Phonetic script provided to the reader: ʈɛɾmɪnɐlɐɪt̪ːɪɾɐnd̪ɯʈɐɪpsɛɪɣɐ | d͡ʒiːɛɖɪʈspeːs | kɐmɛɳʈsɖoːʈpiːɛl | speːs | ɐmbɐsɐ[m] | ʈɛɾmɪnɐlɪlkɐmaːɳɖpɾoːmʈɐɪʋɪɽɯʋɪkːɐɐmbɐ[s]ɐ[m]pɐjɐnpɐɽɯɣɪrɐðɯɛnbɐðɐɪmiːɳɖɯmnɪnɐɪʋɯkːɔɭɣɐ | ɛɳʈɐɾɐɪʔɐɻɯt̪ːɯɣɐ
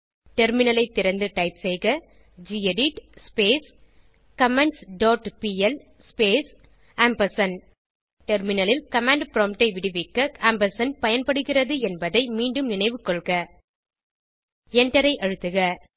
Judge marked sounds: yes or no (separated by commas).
no, yes, no